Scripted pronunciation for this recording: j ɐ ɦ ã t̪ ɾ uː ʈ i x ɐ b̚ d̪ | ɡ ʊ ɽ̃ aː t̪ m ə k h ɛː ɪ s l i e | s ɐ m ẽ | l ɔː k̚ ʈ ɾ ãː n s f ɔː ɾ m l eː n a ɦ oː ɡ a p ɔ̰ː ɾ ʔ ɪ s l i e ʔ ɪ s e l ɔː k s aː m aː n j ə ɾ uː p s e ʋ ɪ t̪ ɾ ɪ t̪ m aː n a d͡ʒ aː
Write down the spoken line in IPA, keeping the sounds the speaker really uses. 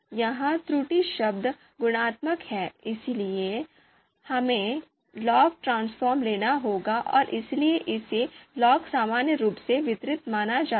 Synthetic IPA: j ɐ ɦ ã t̪ ɾ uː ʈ i ʃ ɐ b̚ d̪ | ɡ ʊ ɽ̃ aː t̪ m ə k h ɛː ɪ s l i e | h ɐ m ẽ | l ɔː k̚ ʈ ɾ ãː n s f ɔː ɾ m l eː n a ɦ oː ɡ a ʔ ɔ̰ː ɾ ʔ ɪ s l i e ʔ ɪ s e l ɔː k s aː m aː n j ə ɾ uː p s e ʋ ɪ t̪ ɾ ɪ t̪ m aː n a d͡ʒ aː